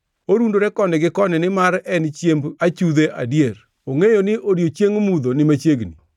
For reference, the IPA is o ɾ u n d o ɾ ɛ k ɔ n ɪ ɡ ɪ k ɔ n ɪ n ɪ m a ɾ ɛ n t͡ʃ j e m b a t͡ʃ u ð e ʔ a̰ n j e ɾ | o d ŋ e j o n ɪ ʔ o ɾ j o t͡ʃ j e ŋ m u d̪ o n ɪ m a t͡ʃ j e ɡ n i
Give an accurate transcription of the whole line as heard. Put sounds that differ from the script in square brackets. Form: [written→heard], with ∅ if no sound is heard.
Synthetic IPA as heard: o ɾ u n d o ɾ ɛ k ɔ n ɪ ɡ ɪ k ɔ n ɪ n ɪ m a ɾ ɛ n t͡ʃ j e m b a t͡ʃ u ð e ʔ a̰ [n→d] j e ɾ | o [d→∅] ŋ e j o n ɪ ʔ o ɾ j o t͡ʃ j e ŋ m u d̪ o n ɪ m a t͡ʃ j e ɡ n i